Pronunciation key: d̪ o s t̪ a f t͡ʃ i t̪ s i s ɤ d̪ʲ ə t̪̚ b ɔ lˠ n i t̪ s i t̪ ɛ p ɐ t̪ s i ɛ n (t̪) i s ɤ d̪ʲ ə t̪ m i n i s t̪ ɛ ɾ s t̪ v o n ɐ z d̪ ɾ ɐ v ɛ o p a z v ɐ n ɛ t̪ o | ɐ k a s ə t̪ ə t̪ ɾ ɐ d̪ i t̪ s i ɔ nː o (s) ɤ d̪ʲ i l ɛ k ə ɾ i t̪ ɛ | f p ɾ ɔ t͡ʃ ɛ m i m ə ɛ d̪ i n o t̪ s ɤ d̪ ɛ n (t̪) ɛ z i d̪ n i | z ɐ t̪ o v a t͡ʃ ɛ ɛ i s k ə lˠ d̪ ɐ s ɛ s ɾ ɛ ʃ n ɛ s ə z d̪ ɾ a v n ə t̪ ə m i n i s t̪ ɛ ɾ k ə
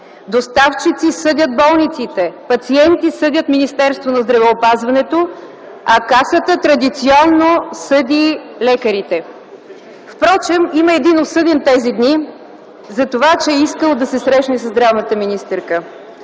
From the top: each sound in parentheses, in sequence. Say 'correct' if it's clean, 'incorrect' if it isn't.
correct, correct, correct

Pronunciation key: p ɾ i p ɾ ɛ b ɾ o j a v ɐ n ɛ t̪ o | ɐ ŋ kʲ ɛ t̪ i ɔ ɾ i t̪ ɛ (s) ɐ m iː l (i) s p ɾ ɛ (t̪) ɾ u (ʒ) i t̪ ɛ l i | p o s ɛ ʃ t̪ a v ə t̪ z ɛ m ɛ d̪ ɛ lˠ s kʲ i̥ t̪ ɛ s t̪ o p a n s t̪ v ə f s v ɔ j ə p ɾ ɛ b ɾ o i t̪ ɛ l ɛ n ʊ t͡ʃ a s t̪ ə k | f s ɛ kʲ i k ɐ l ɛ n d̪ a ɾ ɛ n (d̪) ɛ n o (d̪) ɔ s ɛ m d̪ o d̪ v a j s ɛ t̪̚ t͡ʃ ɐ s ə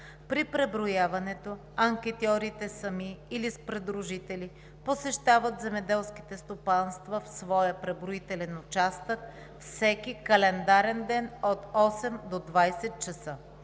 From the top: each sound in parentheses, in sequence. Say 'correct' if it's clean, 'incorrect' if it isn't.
correct, correct, incorrect: d̪, correct, correct, incorrect: t̪

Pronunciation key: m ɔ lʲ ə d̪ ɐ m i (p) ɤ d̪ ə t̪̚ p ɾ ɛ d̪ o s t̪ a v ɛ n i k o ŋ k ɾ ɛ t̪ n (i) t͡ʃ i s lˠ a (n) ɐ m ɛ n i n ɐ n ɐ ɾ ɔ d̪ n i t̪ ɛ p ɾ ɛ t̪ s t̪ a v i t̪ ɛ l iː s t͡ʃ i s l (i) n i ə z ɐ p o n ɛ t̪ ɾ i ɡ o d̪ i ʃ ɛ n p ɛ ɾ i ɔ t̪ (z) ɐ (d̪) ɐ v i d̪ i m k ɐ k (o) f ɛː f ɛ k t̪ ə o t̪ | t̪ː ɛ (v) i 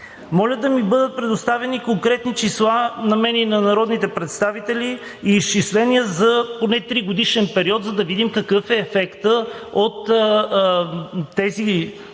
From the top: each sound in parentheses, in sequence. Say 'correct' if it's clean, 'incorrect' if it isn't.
incorrect: b, correct, correct, incorrect: ɛ, correct, correct, incorrect: ɤ, incorrect: z

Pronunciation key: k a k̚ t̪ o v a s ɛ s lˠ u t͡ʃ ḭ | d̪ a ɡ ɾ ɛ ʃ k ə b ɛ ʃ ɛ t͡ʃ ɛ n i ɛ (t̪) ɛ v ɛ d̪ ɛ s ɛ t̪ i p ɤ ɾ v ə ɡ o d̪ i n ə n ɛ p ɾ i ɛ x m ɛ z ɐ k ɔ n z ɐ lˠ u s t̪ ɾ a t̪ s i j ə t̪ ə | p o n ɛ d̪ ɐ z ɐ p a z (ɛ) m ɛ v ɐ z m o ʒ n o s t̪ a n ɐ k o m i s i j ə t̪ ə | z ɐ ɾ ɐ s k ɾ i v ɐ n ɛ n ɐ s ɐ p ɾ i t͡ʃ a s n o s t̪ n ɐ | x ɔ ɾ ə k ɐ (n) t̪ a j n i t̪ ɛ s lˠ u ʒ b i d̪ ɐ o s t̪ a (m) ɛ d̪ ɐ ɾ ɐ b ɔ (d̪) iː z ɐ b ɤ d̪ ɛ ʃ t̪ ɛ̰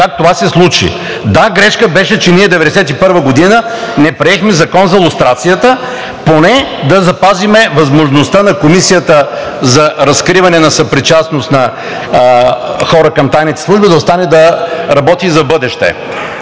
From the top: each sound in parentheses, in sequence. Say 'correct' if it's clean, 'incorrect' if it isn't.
incorrect: d̪, incorrect: i, incorrect: m, incorrect: n, incorrect: t̪

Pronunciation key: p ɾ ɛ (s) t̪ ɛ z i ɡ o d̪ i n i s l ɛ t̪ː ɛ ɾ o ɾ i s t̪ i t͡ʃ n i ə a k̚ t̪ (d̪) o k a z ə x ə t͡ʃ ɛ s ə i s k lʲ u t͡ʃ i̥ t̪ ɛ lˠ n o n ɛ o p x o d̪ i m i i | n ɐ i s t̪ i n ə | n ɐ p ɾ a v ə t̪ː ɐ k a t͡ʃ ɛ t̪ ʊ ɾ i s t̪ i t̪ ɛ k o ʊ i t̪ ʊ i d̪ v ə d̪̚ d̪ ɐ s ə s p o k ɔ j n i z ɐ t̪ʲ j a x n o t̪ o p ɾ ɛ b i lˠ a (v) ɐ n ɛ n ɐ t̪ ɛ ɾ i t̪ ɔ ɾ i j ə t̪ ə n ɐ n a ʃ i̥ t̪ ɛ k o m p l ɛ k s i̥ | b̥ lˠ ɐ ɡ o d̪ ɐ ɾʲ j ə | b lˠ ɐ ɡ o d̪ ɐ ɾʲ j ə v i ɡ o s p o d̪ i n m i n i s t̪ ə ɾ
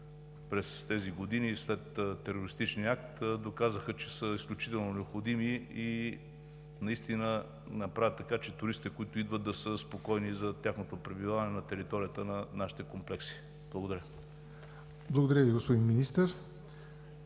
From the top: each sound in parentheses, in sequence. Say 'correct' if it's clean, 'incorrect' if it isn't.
correct, correct, correct

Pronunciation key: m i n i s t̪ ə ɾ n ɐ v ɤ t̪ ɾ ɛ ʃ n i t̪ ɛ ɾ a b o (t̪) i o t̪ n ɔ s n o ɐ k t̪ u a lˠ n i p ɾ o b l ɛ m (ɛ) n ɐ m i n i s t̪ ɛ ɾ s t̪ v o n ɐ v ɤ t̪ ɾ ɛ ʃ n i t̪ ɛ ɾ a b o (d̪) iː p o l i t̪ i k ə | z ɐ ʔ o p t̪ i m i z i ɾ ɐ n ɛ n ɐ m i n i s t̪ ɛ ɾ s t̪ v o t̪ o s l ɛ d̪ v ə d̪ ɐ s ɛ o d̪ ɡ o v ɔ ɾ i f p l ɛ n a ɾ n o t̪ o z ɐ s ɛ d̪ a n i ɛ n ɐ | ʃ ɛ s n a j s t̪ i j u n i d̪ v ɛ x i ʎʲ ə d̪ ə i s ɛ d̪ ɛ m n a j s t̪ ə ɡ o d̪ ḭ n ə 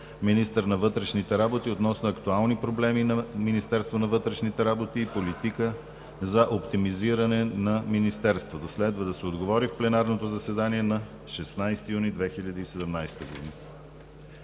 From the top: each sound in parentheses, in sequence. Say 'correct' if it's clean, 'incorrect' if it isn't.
correct, incorrect: i, incorrect: t̪

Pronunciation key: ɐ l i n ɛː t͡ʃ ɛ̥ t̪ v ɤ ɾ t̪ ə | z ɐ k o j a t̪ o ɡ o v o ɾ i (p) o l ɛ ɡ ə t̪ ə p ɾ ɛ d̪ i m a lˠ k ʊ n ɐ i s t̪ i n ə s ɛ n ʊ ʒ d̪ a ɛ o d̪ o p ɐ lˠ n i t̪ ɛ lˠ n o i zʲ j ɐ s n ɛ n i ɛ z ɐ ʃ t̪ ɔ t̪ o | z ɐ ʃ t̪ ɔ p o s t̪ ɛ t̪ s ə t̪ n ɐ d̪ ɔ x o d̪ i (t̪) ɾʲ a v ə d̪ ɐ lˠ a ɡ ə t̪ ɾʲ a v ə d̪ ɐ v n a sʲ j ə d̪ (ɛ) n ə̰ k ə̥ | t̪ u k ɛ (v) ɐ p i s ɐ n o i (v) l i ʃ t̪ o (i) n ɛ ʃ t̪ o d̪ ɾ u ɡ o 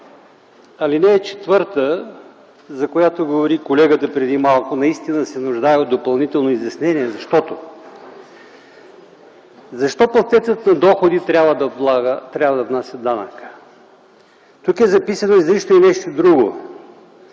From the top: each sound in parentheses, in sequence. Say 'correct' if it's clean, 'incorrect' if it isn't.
incorrect: k, correct, incorrect: a, incorrect: z, incorrect: z, correct

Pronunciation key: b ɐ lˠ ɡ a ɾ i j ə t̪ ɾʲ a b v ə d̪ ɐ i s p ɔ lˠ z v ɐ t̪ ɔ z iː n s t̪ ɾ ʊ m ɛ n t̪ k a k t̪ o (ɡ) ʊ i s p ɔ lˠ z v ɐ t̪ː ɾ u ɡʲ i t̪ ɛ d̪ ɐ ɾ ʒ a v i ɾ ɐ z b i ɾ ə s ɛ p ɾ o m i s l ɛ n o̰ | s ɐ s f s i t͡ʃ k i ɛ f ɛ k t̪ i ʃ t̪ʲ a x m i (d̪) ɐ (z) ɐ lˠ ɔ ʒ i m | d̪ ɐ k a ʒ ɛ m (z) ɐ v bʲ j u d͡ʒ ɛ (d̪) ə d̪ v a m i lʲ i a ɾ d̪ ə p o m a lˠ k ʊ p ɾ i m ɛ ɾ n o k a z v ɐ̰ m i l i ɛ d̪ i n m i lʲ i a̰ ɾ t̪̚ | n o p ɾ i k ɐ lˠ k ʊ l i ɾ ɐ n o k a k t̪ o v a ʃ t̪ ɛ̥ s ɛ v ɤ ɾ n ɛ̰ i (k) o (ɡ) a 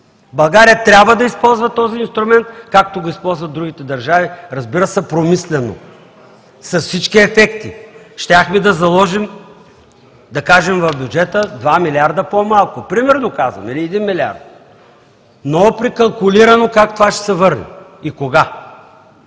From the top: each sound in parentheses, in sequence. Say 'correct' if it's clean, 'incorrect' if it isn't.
correct, correct, correct, incorrect: v, incorrect: t̪, correct, correct

